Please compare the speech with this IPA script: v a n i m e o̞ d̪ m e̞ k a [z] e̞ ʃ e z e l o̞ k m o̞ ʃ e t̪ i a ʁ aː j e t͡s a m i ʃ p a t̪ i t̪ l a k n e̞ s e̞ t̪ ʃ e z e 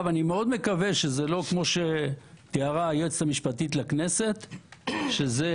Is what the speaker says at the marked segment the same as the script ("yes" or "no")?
no